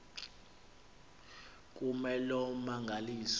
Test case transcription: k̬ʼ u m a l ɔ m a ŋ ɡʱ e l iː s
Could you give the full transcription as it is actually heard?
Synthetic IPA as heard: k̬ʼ u m ɛ l ɔ m a ŋ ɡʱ a l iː s